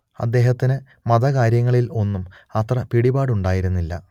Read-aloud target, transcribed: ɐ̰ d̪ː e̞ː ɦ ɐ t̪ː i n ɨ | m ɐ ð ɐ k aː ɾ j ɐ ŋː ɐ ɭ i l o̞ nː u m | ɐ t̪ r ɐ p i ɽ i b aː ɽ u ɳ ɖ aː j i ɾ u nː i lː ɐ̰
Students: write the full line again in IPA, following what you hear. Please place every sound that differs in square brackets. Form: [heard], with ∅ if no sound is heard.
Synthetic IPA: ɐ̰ d̪ː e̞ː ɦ ɐ t̪ː i n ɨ | m ɐ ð ɐ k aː ɾ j ɐ ŋː ɐ ɭ i l o̞ nː u m | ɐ t̪ r ɐ p i ɽ i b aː ɽ u ɳ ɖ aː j i ɾ u nː i lː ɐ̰